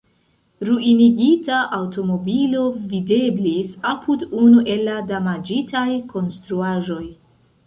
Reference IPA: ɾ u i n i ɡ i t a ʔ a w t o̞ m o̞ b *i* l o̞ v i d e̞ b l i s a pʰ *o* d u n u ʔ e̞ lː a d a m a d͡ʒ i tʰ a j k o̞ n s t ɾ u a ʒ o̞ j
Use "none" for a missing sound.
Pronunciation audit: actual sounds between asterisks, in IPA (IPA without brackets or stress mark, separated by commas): i, u